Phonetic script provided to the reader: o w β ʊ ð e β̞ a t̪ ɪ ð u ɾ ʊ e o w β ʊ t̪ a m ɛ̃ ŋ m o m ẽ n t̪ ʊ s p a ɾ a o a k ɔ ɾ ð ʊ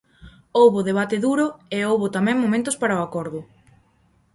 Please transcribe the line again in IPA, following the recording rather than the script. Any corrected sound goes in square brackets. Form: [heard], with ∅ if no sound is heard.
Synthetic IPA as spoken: o w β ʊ ð e β̞ a t̪ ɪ ð u ɾ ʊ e o w β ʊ t̪ a m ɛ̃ ŋ m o m ẽ n t̪ ʊ s p a ɾ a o a k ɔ ɾ ð ʊ